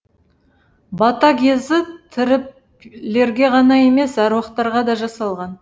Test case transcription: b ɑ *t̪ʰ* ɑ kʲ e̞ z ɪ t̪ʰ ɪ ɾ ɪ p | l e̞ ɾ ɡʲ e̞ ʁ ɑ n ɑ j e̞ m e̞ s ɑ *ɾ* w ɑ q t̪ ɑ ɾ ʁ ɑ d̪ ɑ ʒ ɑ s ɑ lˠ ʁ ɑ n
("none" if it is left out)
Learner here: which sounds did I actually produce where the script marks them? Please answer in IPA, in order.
t̪, ɾ

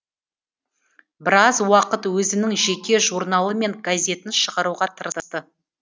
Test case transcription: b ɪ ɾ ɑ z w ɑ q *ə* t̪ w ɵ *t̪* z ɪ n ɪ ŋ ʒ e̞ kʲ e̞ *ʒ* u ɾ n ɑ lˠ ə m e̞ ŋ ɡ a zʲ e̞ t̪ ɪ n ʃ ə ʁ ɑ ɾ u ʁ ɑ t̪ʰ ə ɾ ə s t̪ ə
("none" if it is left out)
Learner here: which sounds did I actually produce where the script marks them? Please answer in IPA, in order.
ə, none, ʒ

